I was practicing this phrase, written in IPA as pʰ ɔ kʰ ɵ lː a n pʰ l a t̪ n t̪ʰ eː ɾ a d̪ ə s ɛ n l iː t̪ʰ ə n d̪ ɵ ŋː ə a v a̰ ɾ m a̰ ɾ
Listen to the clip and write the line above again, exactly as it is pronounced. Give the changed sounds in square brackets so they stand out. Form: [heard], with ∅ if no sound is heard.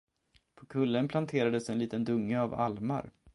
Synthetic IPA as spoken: pʰ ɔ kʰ ɵ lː [ə] n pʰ l a [∅] n t̪ʰ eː ɾ a d̪ ə s ɛ n l iː [t̪] ə n d̪ ɵ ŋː ə a v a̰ [l] m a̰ ɾ